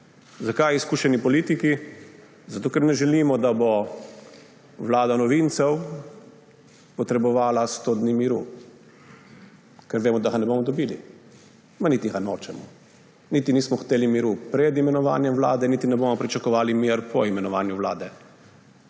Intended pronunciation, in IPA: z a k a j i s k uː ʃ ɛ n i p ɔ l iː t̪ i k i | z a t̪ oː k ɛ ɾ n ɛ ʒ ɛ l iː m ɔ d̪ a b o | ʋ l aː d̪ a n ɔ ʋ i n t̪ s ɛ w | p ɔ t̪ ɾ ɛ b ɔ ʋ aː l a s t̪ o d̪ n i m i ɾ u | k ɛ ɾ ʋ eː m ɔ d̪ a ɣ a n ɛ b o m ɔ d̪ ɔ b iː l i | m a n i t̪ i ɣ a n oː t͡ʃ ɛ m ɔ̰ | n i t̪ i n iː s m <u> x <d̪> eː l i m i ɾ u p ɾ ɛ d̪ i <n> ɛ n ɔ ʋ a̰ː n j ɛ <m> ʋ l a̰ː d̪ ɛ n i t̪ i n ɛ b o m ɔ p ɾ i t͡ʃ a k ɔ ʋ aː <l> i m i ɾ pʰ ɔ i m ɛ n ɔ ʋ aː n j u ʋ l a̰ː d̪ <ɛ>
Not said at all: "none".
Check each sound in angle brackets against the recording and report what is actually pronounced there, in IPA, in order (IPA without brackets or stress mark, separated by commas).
ɔ, t̪, m, m, l, ɛ